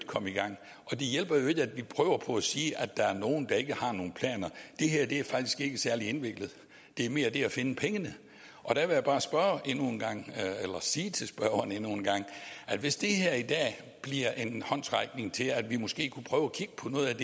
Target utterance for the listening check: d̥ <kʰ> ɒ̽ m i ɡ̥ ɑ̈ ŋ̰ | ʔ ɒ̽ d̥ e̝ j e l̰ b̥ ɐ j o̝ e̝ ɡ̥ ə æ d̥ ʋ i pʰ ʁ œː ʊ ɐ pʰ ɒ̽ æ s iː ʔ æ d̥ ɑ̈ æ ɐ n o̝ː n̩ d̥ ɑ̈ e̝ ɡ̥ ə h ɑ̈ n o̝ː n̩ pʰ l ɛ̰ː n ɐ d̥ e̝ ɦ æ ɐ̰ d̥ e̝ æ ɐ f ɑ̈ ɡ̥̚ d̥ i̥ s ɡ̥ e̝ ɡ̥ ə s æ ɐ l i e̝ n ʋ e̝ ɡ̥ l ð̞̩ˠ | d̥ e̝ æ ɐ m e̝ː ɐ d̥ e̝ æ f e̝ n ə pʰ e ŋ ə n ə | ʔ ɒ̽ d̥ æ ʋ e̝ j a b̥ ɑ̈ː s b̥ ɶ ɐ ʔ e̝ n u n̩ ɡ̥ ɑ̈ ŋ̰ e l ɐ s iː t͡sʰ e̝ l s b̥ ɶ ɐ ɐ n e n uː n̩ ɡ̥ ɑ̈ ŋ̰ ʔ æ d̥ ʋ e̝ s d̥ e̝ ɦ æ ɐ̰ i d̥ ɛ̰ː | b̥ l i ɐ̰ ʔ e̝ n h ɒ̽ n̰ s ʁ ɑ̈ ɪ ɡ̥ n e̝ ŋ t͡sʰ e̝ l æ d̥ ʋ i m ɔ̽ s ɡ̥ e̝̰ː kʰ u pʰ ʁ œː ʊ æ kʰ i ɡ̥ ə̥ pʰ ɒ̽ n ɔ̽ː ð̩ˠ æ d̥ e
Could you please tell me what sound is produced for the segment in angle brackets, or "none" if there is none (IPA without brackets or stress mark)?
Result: kʰ